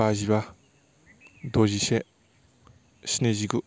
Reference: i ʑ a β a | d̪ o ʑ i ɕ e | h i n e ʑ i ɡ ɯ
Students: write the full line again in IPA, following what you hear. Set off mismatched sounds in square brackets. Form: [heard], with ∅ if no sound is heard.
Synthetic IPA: [a] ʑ [i] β a | d̪ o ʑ i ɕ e | [ɕ] i n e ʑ i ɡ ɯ

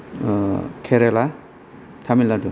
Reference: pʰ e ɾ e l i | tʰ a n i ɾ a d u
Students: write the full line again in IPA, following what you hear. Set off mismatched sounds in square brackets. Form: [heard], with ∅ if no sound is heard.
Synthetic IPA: [kʰ] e ɾ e l [a] | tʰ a [m] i [l] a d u

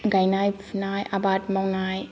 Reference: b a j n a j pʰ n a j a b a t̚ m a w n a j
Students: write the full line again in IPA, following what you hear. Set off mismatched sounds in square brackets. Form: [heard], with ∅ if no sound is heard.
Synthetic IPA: [ɡ] a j n a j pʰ n a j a b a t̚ m a w n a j

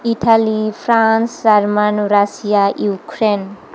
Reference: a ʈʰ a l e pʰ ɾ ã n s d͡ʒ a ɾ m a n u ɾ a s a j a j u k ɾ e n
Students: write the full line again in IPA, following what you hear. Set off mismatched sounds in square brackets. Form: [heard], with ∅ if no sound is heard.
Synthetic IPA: [i] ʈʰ a l [i] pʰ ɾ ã n s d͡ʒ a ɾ m a n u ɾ a s [i] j a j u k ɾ e n

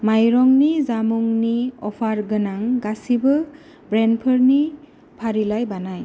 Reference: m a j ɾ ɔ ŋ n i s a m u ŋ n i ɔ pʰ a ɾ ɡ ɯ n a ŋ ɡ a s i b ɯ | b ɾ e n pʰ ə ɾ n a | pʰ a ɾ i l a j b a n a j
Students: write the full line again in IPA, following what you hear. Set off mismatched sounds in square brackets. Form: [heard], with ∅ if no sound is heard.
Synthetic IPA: m a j ɾ ɔ ŋ n i [z] a m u ŋ n i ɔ pʰ a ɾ ɡ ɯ n a ŋ ɡ a s i b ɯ | b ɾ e n pʰ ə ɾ n [i] | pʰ a ɾ i l a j b a n a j

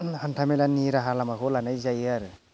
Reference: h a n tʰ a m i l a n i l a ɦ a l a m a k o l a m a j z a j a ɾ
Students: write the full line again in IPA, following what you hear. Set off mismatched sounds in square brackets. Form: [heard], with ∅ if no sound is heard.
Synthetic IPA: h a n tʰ a m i l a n i [ɾ] a ɦ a l a m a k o l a [n] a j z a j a ɾ

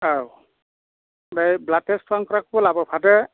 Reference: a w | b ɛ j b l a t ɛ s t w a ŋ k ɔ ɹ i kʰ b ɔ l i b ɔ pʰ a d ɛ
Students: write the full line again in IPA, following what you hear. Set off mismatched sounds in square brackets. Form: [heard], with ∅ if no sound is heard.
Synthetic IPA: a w | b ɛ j b l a t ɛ s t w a ŋ k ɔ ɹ [a] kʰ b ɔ l [a] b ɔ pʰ a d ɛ

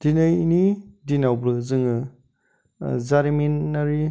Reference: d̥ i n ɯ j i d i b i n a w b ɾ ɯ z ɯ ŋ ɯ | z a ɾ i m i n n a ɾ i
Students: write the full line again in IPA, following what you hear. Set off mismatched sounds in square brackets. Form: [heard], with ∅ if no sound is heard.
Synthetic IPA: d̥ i n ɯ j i [n] i [d] i n a w b ɾ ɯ z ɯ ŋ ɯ | z a ɾ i m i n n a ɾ i

